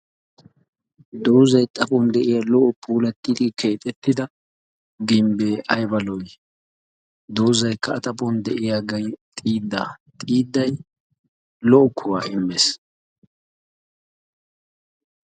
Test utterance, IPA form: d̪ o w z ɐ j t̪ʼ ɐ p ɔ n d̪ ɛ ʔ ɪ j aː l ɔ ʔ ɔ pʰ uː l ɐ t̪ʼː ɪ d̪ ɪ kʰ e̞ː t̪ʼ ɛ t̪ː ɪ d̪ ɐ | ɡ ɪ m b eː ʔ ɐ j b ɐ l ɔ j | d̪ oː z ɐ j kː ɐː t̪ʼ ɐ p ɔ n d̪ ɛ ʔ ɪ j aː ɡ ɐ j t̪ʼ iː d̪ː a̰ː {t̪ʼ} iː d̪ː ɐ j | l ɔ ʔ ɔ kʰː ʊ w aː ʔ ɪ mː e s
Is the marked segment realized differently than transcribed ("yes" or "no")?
no